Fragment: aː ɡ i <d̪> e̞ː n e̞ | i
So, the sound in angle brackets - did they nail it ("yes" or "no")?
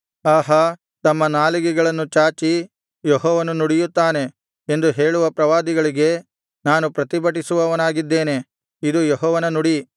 no